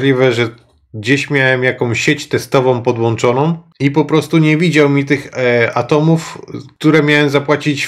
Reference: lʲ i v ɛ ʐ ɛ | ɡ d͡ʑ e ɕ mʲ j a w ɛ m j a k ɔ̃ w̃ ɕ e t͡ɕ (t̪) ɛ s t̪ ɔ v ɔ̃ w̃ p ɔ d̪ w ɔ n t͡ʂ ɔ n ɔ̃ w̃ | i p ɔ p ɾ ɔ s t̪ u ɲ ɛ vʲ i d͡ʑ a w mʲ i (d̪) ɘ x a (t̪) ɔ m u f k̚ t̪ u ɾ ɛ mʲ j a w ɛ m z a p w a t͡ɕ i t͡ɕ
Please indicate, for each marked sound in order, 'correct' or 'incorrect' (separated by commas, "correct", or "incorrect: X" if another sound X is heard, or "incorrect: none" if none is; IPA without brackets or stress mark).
correct, incorrect: t̪, correct